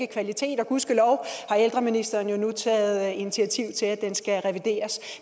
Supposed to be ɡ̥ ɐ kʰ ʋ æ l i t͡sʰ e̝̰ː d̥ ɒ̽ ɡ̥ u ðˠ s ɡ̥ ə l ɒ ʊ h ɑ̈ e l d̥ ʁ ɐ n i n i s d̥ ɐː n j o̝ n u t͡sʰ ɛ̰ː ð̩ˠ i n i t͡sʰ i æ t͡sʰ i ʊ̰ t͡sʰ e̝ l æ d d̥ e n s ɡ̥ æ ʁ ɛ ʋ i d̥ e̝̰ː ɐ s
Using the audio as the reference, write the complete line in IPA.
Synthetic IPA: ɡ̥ ə kʰ ʋ æ l i t͡sʰ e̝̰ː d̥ ɒ̽ ɡ̥ u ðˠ s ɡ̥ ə l ɒ ʊ h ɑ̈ e l d̥ ʁ ɐ m i n i s d̥ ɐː n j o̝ n u t͡sʰ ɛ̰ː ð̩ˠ i n i t͡sʰ i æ t͡sʰ i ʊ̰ t͡sʰ e̝ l æ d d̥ e n s ɡ̥ æ ʁ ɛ ʋ i d̥ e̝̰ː ɐ s